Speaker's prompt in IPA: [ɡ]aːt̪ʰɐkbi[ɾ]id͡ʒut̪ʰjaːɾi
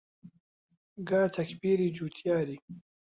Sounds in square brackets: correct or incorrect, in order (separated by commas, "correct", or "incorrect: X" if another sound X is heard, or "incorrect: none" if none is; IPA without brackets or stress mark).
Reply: correct, correct